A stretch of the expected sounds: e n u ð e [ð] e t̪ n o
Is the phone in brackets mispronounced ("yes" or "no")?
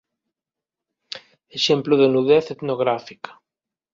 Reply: yes